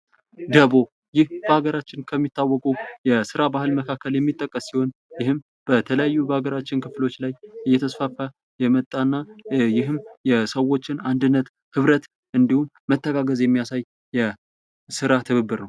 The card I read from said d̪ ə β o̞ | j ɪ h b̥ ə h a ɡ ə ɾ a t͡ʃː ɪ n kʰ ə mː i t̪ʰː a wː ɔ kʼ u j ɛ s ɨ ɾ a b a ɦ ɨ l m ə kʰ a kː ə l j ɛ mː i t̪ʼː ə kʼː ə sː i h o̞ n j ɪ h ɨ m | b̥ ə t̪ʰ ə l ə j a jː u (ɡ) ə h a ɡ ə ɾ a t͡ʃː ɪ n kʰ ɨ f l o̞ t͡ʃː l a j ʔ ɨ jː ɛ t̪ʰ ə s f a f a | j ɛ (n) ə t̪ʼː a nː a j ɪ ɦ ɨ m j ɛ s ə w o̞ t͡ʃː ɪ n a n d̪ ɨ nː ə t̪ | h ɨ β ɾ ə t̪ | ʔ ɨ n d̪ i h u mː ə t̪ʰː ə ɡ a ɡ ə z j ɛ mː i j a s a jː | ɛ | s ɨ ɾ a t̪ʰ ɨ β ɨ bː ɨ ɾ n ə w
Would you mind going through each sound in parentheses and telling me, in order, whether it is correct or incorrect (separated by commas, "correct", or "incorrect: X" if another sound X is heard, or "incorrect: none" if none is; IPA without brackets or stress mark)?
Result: incorrect: b, incorrect: m